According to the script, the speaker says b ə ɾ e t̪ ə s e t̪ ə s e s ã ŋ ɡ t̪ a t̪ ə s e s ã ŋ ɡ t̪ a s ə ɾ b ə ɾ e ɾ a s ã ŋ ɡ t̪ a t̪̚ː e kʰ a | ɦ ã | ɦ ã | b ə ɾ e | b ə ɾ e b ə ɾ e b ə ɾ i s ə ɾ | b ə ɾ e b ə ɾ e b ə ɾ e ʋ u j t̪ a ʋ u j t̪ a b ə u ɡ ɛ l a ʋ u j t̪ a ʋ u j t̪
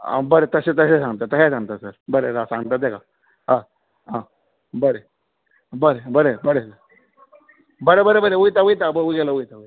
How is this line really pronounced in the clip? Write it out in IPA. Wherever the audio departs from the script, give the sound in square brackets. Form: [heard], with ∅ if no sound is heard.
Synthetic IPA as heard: b ə ɾ e t̪ ə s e t̪ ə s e s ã ŋ ɡ t̪ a t̪ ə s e s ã ŋ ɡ t̪ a s ə ɾ b ə ɾ e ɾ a s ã ŋ ɡ t̪ a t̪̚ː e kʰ a | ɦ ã | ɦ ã | b ə ɾ e | b ə ɾ e b ə ɾ e b ə ɾ [e] s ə ɾ | b ə ɾ e b ə ɾ e b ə ɾ e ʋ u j t̪ a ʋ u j t̪ a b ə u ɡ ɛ l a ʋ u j t̪ a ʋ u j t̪